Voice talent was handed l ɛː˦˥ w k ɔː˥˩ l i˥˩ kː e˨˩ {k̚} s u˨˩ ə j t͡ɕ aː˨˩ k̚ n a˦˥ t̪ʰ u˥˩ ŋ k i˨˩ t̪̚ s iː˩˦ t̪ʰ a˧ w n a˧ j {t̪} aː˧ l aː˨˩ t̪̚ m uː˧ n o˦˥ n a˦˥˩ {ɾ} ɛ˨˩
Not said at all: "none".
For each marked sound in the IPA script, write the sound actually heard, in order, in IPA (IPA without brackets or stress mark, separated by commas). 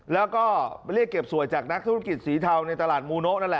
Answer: p̚, t̪, l